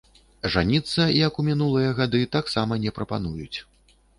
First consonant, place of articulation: retroflex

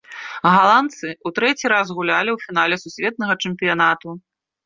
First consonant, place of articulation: velar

